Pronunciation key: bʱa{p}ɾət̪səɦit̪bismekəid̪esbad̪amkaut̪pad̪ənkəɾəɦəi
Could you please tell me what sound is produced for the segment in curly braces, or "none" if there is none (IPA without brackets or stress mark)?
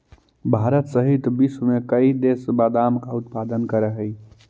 none